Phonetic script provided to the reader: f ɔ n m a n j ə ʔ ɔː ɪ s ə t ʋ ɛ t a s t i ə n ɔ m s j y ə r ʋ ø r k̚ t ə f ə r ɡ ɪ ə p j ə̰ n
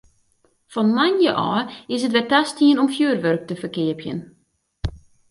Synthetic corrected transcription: f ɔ n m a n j ə ʔ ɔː ɪ s ə t ʋ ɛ t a s t i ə n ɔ m f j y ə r ʋ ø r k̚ t ə f ə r k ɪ ə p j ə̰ n